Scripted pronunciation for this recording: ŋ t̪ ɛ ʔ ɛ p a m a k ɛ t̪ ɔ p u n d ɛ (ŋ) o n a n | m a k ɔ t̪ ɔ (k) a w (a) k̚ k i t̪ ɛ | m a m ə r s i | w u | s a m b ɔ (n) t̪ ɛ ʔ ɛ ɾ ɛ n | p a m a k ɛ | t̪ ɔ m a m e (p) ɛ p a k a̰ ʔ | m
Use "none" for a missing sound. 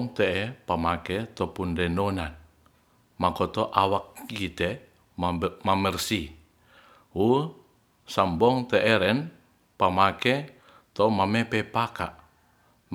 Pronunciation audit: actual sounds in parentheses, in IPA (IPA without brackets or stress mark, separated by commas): n, ʔ, a, ŋ, p